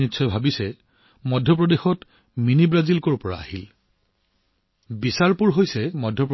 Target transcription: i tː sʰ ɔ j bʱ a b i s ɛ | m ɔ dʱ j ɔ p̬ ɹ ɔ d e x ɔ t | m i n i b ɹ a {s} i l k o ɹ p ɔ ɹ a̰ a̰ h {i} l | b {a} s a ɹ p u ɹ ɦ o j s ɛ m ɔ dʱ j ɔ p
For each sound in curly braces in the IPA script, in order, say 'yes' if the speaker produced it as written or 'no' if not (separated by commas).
no, yes, no